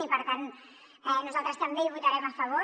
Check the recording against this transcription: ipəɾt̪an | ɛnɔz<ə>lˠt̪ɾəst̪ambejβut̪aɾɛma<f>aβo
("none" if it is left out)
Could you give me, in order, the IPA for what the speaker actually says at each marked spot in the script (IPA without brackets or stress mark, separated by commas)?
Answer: a, f